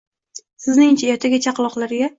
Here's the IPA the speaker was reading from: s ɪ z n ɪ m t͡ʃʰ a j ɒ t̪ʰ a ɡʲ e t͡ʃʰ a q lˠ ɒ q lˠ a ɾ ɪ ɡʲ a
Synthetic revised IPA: s ɪ z n ɪ ŋ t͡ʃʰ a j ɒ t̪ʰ a ɡʲ a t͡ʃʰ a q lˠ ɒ q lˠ a ɾ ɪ ɡʲ a